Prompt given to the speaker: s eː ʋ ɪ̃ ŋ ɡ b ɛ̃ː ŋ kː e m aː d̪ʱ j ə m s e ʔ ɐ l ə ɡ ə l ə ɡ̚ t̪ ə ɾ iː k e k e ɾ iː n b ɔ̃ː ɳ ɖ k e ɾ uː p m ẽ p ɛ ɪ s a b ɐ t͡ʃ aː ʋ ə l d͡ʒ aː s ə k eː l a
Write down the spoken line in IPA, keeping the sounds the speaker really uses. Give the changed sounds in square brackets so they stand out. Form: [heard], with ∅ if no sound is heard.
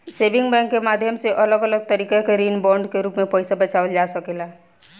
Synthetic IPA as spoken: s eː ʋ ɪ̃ ŋ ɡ b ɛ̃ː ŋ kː e m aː d̪ʱ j ə m s e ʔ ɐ l ə ɡ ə l ə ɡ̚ t̪ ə ɾ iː k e k e ɾ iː n b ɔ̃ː ɳ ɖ k e ɾ uː p m ẽ p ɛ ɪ s a b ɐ t͡ʃ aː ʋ ə l d͡ʒ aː s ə k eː l a